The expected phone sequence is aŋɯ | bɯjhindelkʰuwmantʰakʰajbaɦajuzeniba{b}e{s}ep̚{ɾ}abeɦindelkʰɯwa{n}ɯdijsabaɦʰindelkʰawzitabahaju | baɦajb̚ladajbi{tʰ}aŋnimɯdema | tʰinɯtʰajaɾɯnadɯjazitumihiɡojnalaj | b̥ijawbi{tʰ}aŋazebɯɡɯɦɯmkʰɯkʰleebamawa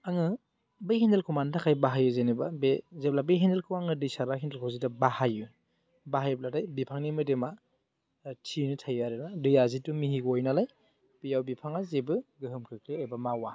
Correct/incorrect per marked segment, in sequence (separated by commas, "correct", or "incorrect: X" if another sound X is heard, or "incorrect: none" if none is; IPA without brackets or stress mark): correct, incorrect: z, incorrect: l, incorrect: ŋ, incorrect: pʰ, incorrect: pʰ